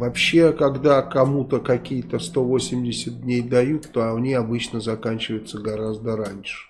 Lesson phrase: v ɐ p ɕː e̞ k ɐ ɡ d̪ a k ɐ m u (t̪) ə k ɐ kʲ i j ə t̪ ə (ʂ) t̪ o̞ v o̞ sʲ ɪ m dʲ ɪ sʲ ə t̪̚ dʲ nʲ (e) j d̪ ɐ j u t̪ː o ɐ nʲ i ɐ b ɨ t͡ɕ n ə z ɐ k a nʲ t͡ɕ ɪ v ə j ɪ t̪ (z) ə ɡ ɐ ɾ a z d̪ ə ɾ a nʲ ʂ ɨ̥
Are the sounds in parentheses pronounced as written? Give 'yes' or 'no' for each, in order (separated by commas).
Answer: yes, no, yes, no